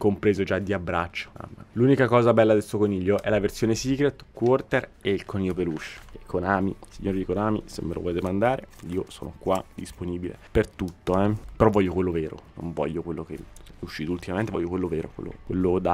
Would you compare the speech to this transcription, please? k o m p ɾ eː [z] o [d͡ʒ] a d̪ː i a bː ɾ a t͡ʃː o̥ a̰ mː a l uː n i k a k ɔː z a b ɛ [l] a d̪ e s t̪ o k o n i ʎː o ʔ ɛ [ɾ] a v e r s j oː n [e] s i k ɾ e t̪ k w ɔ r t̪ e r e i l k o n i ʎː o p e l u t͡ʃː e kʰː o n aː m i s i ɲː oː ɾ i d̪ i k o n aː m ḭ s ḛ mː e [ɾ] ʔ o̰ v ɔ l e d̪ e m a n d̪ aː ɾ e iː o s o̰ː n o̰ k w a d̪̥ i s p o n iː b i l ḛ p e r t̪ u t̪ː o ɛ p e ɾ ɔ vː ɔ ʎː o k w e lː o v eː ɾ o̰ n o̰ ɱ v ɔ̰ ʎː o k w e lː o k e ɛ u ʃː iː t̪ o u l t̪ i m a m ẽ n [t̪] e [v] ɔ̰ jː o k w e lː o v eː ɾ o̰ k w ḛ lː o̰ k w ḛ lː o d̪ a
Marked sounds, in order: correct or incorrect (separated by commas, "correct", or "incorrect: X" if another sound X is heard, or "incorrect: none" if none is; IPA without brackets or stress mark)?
correct, correct, incorrect: lː, incorrect: l, correct, incorrect: l, correct, correct